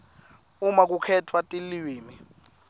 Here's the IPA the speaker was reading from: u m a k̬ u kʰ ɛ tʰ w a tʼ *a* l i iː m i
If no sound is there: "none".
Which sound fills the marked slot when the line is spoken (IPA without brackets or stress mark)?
i